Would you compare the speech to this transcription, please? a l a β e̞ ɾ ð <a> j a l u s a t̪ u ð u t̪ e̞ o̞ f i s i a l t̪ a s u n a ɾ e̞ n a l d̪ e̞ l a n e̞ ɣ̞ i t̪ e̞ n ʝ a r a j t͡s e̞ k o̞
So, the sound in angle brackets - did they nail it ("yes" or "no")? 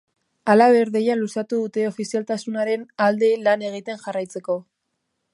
no